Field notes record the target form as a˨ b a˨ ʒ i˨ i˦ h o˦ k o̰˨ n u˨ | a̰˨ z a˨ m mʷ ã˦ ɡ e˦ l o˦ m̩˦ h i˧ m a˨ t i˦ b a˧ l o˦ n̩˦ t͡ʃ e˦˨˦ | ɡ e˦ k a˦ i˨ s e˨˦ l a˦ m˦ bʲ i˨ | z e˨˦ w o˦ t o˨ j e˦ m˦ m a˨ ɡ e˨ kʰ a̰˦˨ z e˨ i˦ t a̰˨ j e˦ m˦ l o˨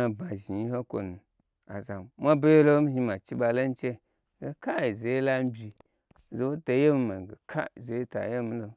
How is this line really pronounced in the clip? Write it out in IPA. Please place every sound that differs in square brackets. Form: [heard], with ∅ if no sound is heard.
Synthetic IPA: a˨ b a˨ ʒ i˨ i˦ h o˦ k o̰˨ n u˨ | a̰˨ z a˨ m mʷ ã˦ [b] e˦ l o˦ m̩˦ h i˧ m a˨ [t͡ʃ] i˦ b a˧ l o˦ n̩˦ t͡ʃ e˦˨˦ | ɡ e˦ k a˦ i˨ [z] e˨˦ l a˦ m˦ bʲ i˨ | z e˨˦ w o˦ t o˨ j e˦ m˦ m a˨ ɡ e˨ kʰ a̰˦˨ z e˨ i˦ t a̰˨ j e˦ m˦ l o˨